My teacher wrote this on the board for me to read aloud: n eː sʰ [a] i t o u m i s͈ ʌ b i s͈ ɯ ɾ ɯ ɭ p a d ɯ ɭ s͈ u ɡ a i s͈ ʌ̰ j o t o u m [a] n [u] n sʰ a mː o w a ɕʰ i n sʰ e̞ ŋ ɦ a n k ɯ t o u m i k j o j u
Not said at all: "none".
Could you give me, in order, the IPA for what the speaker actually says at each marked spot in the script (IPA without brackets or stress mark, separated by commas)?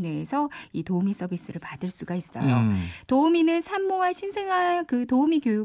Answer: ʌ, i, ɯ